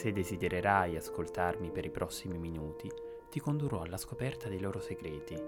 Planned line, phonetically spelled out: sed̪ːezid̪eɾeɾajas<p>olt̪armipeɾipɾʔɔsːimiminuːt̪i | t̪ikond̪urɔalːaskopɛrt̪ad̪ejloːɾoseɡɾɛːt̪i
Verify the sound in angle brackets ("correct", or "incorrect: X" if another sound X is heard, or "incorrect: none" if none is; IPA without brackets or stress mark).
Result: incorrect: k